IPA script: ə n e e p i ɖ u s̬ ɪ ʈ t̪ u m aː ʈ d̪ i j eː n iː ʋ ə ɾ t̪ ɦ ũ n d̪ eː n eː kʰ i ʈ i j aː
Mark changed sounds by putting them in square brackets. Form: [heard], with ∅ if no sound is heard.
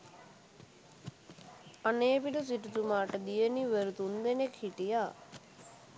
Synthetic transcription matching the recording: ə n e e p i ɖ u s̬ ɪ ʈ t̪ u m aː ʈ d̪ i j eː n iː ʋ ə ɾ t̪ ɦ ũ n d̪ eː n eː kʰ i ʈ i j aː